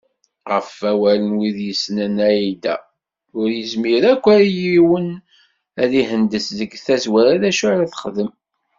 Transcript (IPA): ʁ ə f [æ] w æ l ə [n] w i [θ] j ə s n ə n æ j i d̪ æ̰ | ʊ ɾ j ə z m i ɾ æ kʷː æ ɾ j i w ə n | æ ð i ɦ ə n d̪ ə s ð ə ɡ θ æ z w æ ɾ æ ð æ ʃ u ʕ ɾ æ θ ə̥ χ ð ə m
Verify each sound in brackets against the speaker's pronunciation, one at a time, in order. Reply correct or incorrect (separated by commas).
correct, correct, incorrect